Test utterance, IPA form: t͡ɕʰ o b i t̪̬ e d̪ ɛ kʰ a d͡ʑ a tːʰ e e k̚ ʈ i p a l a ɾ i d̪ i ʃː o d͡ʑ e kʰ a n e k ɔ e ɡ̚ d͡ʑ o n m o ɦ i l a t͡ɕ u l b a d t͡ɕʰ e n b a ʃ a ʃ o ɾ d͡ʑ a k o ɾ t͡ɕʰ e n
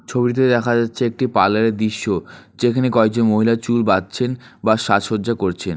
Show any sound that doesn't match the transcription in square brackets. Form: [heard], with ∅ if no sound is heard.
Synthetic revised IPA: t͡ɕʰ o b i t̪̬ e d̪ ɛ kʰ a d͡ʑ a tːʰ e e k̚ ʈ i p a l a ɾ [e] d̪ i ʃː o d͡ʑ e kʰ a n e k ɔ e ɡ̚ d͡ʑ o n m o ɦ i l a t͡ɕ u l b a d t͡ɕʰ e n b a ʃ a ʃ o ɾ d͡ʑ a k o ɾ t͡ɕʰ e n

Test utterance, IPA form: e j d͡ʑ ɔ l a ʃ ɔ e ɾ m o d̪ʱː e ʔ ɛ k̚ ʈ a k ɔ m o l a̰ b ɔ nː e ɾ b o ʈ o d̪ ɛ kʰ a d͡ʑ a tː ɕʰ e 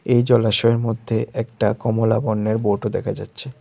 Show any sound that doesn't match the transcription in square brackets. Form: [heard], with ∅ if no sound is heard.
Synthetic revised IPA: e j d͡ʑ ɔ l a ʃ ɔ e ɾ m o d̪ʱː e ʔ ɛ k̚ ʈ a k ɔ m o l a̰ b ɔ nː e ɾ b o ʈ o d̪ ɛ kʰ a d͡ʑ a tː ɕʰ e

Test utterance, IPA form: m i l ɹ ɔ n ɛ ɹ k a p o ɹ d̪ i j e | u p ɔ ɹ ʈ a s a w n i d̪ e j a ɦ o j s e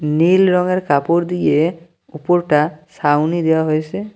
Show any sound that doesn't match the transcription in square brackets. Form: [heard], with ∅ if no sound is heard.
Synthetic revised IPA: [n] i l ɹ ɔ [ŋ] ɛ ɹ k a p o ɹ d̪ i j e | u p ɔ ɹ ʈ a s a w n i d̪ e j a ɦ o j s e

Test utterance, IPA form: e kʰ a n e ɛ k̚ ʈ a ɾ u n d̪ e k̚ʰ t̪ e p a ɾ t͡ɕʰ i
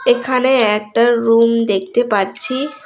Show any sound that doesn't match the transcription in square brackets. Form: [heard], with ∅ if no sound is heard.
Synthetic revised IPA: e kʰ a n e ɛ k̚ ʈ a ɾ u [m] d̪ e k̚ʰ t̪ e p a ɾ t͡ɕʰ i

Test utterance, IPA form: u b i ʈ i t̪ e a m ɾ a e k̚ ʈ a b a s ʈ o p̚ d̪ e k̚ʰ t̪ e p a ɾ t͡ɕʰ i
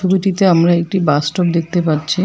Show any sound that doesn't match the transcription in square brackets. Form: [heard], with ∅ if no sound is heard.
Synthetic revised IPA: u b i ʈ i t̪ e a m ɾ a e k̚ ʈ [i] b a s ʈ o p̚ d̪ e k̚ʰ t̪ e p a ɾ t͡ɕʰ i

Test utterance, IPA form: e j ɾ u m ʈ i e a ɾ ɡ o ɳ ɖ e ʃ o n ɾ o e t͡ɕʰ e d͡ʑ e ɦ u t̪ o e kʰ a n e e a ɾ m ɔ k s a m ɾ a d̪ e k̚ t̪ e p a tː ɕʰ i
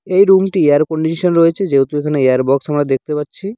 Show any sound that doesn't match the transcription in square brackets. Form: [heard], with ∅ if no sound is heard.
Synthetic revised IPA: e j ɾ u m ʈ i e a ɾ [k] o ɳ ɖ [i] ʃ o n ɾ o e t͡ɕʰ e d͡ʑ e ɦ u t̪ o e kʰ a n e e a ɾ [b] ɔ k s a m ɾ a d̪ e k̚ t̪ e p a tː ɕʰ i

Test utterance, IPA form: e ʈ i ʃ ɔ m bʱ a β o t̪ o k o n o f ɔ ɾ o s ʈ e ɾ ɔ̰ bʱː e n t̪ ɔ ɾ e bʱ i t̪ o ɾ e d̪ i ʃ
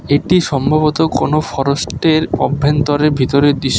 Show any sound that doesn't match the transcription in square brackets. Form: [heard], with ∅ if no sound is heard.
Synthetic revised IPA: e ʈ i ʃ ɔ m bʱ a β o t̪ o k o n o f ɔ ɾ o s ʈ e ɾ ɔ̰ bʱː e n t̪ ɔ ɾ e bʱ i t̪ o ɾ e d̪ i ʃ

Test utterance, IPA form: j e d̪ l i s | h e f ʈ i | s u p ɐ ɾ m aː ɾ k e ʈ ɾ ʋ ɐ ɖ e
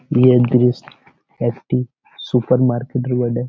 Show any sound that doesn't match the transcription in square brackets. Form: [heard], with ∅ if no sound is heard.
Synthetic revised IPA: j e d̪ [ɾ] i s | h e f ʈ i | s u p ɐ ɾ m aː ɾ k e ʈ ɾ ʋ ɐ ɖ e

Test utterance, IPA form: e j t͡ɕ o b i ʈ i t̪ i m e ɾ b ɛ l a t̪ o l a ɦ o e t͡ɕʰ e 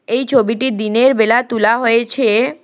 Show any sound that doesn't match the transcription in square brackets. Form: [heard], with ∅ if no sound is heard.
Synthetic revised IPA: e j [t͡ɕʰ] o b i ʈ i [d̪] i [n] e ɾ b [e] l a t̪ [u] l a ɦ o e t͡ɕʰ e

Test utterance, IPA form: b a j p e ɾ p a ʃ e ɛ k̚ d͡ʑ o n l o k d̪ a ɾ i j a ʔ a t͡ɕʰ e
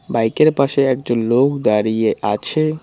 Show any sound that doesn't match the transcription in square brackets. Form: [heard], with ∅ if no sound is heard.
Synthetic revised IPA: b a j [k] e ɾ p a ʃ e ɛ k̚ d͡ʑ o n l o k d̪ a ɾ i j [e] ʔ a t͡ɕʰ e

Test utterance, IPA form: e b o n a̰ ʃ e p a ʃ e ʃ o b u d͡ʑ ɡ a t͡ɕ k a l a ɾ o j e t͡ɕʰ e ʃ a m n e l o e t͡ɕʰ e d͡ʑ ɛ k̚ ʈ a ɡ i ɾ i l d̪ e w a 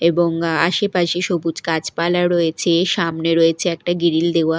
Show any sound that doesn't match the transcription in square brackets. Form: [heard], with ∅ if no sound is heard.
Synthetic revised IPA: e b o [ŋ] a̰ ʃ e p a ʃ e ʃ o b u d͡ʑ [k] a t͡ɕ [p] a l a ɾ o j e t͡ɕʰ e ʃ a m n e [ɾ] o e t͡ɕʰ e [∅] ɛ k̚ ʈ a ɡ i ɾ i l d̪ e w a

